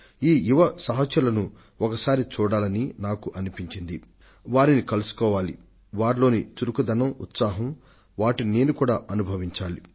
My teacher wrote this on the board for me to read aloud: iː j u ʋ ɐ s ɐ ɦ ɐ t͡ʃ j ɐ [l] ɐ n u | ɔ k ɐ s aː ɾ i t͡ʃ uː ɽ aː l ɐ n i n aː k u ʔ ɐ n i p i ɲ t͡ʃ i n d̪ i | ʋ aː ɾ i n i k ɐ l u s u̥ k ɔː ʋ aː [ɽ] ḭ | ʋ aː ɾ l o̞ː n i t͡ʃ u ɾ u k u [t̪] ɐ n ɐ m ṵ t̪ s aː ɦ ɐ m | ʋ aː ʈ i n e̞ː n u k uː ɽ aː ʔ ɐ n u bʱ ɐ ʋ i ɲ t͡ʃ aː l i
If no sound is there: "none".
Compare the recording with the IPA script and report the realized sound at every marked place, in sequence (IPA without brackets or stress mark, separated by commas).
l, l, d̪